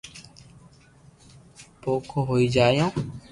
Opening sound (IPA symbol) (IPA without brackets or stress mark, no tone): p